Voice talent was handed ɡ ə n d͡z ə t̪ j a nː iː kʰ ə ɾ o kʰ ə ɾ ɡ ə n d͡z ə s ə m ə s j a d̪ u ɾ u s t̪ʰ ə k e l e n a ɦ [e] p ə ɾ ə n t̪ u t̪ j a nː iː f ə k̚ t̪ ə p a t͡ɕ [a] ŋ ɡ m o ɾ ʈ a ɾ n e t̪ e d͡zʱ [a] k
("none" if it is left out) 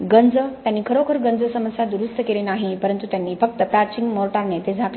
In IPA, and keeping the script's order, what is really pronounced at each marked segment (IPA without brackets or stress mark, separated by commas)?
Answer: i, i, a